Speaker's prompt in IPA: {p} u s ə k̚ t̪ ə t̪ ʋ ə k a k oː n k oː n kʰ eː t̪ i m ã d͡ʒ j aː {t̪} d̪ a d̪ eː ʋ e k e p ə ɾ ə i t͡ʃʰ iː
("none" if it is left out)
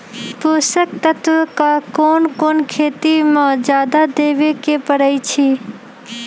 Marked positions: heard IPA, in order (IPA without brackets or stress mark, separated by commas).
p, none